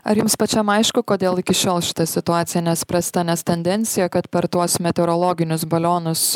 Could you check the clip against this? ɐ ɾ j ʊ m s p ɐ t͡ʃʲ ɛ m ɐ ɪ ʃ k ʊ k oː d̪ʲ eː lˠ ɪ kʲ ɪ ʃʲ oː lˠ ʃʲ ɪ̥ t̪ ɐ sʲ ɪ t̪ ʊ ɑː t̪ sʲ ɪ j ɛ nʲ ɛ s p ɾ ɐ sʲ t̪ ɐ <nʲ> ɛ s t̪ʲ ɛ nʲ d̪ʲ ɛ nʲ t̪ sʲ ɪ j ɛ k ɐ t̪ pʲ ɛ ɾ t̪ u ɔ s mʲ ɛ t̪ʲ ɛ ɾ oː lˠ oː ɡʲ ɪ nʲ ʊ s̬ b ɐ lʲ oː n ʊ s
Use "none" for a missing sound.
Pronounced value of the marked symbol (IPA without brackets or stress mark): nʲ